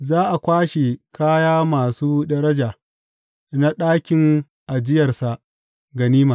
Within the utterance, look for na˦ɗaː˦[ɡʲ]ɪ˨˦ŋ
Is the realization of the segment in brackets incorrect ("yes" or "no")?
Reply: yes